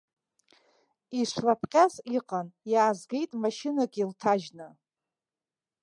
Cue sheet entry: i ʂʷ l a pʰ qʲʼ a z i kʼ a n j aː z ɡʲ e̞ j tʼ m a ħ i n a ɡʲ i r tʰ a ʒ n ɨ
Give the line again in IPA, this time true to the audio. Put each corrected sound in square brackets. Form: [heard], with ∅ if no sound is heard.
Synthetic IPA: i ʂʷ l a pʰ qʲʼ a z i [qʼ] a n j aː z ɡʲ e̞ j tʼ m a [ʃ] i n a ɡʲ i [l] tʰ a ʒ n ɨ